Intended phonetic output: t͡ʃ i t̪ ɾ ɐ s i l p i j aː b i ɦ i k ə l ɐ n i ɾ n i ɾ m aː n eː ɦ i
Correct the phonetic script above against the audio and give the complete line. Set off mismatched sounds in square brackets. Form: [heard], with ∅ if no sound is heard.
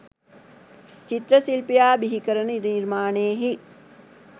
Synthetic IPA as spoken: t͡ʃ i t̪ ɾ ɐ s i l p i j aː b i ɦ i k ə [ɾ] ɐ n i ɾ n i ɾ m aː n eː ɦ i